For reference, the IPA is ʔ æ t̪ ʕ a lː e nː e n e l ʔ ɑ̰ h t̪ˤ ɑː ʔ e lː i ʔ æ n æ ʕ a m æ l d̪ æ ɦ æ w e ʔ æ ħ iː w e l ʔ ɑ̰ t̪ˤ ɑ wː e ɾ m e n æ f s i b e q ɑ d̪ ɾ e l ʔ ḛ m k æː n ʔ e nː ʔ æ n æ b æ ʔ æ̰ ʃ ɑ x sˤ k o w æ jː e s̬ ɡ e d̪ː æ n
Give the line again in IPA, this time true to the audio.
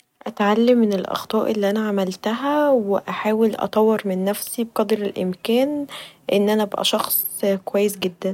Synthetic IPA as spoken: ʔ æ t̪ ʕ a lː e mː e n e l ʔ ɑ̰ x t̪ˤ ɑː ʔ e lː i ʔ æ n æ ʕ a m æ l t̪ æ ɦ æ w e ʔ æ ħ aː w e l ʔ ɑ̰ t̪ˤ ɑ wː e ɾ m e nː æ f s i b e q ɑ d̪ ɾ e l ʔ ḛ m k æː n ʔ e nː ʔ æ n æ b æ ʔ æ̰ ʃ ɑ x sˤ k o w æ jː e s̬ ɡ e d̪ː æ n